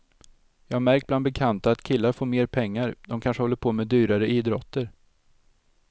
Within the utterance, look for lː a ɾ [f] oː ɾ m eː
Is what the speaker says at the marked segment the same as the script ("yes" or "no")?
yes